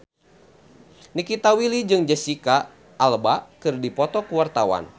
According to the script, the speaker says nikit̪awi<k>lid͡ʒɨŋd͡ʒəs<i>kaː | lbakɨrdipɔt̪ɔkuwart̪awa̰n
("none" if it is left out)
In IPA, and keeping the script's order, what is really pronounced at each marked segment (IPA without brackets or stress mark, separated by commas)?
none, i